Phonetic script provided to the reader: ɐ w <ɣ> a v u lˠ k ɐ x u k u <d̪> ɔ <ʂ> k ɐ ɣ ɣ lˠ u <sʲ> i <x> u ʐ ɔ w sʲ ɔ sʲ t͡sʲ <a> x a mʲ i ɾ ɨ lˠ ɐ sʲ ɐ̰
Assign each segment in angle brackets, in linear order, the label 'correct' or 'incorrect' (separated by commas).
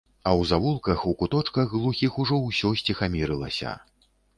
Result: incorrect, incorrect, incorrect, incorrect, correct, incorrect